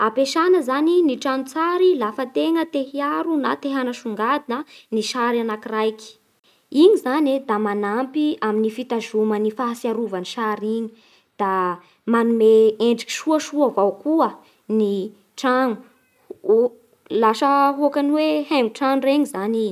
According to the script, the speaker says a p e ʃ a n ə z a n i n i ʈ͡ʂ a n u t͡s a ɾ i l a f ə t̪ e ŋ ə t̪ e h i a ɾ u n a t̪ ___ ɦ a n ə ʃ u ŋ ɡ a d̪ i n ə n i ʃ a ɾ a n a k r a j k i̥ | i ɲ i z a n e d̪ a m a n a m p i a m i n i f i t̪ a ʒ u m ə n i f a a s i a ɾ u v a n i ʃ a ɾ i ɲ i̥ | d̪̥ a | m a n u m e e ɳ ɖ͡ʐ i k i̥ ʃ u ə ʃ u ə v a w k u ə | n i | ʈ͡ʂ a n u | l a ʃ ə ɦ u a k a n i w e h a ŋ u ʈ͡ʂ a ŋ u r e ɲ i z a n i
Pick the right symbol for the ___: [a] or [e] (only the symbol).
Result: e